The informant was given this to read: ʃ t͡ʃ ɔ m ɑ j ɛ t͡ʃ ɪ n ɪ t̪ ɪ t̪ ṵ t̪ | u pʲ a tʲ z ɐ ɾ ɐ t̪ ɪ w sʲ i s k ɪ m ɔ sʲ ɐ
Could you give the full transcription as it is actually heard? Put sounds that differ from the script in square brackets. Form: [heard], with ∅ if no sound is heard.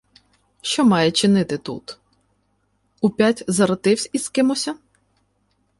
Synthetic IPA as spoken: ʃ t͡ʃ ɔ m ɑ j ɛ t͡ʃ ɪ n ɪ t̪ ɪ t̪ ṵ t̪ | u pʲ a tʲ z ɐ ɾ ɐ t̪ ɪ w sʲ i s k ɪ m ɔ sʲ ɐ